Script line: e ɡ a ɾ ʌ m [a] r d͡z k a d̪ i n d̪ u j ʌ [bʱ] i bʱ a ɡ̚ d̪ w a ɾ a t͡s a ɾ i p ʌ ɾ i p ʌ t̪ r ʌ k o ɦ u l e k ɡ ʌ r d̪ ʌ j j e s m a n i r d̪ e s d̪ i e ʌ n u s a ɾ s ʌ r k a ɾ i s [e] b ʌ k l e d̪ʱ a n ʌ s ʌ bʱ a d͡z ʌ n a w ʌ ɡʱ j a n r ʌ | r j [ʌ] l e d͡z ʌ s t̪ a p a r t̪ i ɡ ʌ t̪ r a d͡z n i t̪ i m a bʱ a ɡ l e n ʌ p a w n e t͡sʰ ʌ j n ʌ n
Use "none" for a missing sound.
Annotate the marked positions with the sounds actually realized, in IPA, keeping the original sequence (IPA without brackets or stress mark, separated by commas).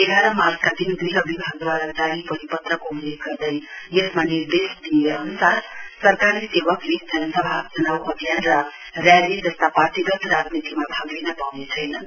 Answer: a, bʱ, e, a